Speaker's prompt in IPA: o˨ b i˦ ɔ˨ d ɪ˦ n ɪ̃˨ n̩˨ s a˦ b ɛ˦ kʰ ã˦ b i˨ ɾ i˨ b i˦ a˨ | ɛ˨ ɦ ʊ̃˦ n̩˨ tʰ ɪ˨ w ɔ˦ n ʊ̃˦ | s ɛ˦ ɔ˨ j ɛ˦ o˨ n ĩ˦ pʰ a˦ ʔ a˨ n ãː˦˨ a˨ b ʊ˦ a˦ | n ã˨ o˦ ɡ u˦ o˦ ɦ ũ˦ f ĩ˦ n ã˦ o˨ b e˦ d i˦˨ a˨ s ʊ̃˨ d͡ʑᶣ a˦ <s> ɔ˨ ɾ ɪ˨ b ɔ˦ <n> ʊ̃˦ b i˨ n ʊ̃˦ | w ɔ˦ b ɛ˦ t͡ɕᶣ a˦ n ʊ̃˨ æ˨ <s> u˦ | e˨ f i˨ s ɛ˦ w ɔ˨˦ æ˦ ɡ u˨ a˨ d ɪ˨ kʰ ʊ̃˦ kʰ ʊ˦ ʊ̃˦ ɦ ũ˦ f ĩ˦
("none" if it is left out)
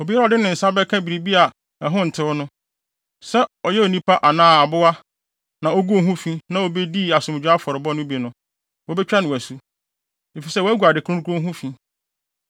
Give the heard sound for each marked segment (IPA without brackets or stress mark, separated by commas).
f, n, s